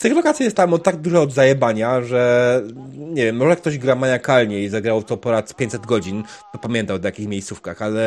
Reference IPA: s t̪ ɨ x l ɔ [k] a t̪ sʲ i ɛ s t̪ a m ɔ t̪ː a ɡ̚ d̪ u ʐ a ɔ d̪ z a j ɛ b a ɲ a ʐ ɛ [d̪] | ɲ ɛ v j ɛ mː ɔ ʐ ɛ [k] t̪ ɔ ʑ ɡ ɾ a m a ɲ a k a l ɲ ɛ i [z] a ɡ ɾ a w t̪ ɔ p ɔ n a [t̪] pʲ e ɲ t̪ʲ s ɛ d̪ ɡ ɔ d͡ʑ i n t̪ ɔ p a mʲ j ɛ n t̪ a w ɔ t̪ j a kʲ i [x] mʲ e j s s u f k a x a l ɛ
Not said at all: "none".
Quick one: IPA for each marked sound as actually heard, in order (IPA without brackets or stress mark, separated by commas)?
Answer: k, none, k, z, t̪, x